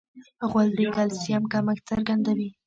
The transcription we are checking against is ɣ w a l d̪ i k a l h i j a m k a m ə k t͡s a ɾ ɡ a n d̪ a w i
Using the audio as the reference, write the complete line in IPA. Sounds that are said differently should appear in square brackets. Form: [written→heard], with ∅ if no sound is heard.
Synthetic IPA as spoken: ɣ w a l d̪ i k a l [h→s] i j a m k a m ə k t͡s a ɾ ɡ a n d̪ a w i